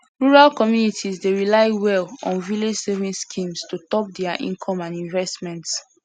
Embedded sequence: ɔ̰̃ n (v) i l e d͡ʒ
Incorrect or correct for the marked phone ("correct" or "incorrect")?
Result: correct